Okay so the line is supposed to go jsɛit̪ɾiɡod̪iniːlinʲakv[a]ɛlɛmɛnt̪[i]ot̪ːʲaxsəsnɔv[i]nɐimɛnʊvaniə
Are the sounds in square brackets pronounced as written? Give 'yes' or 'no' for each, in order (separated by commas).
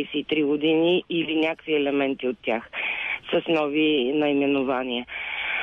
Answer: no, yes, yes